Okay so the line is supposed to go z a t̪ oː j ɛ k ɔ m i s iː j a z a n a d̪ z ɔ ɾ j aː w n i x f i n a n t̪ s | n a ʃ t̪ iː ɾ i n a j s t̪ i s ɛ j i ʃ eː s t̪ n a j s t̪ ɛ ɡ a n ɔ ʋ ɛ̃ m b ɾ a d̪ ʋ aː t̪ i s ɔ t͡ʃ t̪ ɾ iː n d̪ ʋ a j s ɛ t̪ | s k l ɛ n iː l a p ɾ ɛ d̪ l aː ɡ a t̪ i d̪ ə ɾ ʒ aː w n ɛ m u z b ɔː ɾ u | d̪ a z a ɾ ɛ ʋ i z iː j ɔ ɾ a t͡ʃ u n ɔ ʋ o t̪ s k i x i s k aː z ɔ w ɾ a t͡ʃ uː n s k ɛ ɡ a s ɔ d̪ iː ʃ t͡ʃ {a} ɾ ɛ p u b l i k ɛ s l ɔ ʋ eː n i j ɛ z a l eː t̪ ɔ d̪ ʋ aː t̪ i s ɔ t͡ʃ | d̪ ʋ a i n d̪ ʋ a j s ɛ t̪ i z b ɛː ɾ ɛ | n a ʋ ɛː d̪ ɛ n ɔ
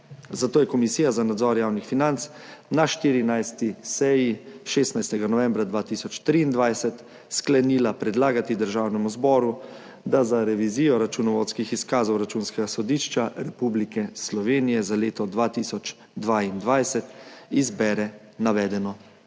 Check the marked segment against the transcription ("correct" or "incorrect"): correct